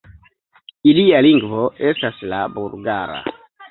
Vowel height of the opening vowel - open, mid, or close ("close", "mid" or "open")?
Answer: close